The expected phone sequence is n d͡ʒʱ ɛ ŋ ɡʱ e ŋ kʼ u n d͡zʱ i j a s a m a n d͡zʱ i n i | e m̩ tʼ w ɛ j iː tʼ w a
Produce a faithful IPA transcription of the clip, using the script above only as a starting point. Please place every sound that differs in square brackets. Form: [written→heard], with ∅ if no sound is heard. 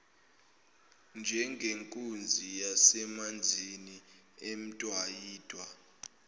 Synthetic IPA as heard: n d͡ʒʱ ɛ ŋ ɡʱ e ŋ kʼ u n d͡zʱ i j a s [a→ɛ] m a n d͡zʱ i n i | e m̩ tʼ w [ɛ→a] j iː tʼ w a